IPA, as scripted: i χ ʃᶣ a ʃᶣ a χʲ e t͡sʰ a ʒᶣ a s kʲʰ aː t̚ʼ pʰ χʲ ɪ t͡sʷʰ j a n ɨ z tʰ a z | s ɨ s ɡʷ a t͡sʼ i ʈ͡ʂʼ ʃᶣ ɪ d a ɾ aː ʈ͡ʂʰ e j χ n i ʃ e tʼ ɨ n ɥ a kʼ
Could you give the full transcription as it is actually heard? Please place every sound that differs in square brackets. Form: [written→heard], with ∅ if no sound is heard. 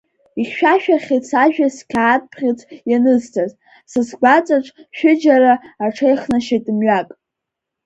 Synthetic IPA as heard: i χ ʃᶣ a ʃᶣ a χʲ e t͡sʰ a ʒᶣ a s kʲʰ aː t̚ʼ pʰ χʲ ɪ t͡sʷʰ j a n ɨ z tʰ a z | s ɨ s ɡʷ a t͡sʼ [i→a] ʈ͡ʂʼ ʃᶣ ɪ [d→d͡ʒ] a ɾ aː ʈ͡ʂʰ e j χ n [i→a] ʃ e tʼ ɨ [n→m] ɥ a kʼ